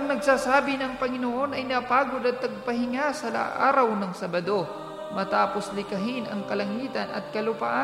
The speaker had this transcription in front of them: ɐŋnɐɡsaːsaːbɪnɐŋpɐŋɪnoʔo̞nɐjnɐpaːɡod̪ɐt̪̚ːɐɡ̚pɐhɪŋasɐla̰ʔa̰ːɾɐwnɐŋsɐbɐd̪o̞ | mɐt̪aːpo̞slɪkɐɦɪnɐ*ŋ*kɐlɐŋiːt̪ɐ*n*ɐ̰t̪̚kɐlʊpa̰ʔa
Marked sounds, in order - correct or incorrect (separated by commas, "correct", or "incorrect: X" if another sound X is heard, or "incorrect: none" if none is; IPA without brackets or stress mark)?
correct, correct